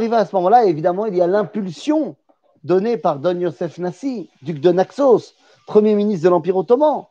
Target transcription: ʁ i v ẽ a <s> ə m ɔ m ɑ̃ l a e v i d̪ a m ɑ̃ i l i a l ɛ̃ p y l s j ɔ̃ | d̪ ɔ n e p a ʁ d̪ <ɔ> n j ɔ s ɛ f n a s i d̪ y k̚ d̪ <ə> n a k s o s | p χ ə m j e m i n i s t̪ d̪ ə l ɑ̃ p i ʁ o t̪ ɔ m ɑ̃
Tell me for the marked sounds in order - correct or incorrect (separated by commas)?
correct, correct, correct